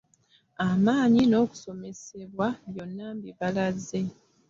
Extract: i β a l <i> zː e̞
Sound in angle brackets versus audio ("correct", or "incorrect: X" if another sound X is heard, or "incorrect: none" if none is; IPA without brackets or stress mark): incorrect: a